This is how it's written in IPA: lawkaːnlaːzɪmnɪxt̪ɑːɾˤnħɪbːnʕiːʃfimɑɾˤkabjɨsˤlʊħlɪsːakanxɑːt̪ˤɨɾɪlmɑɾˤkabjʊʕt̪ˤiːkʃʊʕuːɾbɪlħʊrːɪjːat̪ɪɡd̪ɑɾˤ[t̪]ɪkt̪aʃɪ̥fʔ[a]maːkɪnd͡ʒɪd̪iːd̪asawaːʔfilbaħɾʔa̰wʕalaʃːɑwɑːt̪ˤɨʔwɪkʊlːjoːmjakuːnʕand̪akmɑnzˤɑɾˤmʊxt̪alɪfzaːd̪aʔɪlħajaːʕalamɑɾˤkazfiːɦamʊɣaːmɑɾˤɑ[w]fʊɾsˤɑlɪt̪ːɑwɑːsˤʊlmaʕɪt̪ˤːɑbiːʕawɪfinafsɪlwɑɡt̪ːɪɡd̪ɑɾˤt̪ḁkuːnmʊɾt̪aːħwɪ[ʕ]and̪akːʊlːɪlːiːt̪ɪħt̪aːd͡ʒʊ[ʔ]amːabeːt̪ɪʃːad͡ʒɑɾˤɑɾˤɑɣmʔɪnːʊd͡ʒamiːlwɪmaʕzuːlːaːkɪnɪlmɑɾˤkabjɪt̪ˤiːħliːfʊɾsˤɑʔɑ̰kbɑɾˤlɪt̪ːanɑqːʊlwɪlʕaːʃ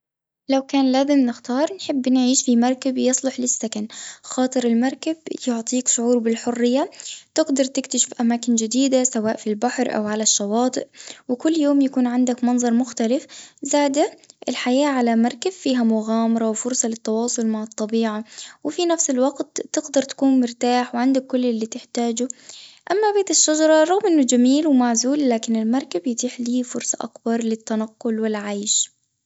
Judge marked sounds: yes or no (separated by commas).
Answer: yes, yes, yes, yes, yes